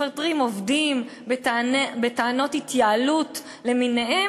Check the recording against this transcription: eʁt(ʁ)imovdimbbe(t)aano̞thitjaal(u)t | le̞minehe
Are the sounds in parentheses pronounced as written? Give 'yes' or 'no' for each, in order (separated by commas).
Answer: yes, yes, yes